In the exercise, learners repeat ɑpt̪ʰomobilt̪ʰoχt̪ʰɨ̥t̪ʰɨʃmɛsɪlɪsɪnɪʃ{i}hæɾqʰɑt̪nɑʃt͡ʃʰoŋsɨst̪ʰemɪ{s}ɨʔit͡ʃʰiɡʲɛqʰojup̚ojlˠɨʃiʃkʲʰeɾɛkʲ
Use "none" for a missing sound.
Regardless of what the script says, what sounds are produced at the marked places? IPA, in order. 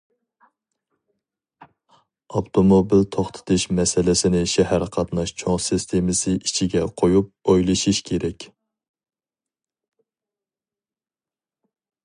ɛ, s

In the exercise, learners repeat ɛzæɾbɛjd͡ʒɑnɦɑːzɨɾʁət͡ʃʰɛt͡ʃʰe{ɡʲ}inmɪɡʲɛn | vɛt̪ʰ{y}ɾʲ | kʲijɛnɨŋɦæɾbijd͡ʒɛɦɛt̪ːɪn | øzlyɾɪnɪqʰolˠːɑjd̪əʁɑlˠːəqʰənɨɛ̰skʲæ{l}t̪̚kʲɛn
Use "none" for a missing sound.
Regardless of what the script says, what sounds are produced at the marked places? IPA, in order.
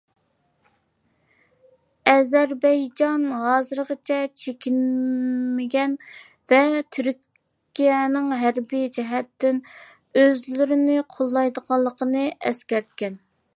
kʲ, y, ɾ

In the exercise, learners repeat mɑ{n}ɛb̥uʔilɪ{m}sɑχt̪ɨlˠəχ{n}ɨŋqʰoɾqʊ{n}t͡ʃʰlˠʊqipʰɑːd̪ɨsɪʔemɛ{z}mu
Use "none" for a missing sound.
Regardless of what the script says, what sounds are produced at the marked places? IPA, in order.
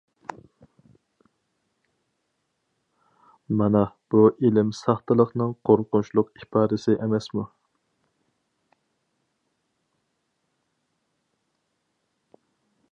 n, m, n, n, s

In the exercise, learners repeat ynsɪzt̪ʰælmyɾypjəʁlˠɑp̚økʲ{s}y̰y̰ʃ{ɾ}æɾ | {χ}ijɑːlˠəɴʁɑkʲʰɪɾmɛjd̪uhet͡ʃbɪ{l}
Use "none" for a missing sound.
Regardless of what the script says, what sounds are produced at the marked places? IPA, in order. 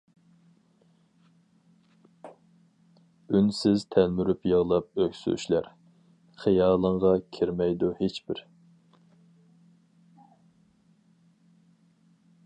s, l, χ, ɾ

